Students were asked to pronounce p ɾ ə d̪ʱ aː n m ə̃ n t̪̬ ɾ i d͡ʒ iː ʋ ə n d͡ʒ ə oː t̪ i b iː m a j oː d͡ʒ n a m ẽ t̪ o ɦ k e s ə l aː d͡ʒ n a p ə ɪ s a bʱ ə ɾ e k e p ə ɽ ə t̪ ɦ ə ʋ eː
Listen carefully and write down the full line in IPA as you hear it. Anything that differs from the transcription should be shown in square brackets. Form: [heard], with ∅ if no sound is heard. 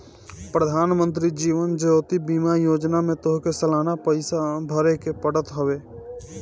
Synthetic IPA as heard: p ɾ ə d̪ʱ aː n m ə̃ n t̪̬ ɾ i d͡ʒ iː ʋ ə n d͡ʒ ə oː t̪ i b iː m a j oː d͡ʒ n a m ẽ t̪ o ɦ k e s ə l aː [∅] n a p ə ɪ s a bʱ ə ɾ e k e p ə ɽ ə t̪ ɦ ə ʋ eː